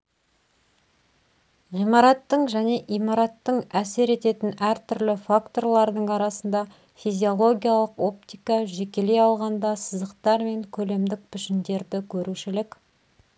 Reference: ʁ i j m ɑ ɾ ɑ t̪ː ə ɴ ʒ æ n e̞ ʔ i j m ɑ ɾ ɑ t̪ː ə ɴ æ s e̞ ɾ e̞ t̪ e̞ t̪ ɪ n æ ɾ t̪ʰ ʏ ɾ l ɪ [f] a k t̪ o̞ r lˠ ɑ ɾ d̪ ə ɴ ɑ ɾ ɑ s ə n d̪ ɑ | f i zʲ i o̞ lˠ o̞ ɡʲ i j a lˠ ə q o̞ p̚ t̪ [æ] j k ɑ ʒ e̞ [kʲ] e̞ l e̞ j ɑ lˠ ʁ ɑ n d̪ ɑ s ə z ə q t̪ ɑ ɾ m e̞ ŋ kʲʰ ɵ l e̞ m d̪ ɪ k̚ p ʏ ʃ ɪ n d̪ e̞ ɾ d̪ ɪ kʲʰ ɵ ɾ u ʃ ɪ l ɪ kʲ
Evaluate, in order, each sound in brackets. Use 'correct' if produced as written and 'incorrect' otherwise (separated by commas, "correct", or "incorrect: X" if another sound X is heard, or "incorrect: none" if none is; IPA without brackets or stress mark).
correct, incorrect: i, correct